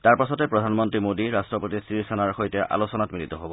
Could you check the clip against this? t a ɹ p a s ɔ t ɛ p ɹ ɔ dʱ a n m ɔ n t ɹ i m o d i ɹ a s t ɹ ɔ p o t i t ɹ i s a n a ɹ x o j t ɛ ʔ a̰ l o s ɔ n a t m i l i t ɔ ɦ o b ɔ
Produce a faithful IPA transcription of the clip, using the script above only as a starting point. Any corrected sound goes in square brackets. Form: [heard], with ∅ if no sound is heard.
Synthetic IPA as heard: t a ɹ p a s ɔ t ɛ p ɹ ɔ dʱ a n m ɔ n t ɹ i m o d i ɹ a s t ɹ ɔ p o t i [s] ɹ i s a n a ɹ x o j t ɛ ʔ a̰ l o s ɔ n a t m i l i t ɔ ɦ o b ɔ